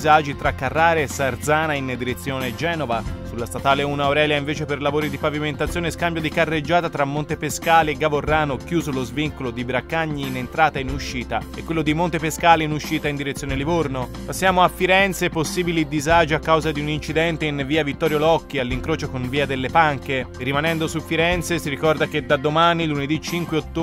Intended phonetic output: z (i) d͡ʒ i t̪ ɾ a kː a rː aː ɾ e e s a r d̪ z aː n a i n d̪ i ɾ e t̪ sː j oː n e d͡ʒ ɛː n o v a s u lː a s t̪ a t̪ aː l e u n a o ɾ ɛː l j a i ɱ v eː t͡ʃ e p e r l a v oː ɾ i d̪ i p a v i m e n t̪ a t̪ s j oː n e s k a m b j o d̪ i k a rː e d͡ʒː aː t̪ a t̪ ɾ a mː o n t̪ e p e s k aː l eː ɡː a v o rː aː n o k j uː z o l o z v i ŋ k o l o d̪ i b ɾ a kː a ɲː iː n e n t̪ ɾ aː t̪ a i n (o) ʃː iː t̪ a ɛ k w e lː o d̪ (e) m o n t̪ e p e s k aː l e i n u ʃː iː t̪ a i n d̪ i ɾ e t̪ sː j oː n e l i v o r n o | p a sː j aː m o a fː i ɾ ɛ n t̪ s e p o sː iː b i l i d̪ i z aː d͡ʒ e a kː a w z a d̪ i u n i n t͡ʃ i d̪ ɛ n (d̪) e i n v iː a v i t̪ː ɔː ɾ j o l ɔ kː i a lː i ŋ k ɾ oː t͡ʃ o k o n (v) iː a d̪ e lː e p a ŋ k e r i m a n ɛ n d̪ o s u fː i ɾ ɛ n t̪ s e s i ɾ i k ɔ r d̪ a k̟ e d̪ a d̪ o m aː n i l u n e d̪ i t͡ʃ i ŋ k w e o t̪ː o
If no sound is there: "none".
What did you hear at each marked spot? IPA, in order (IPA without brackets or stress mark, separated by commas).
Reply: a, u, i, t̪, v